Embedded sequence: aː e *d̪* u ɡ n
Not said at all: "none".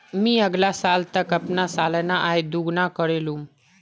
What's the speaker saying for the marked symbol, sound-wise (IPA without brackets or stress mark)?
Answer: d̪